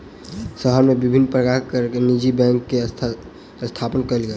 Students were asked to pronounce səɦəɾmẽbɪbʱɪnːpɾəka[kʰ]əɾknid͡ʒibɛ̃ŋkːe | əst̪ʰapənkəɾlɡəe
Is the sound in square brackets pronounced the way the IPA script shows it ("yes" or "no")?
no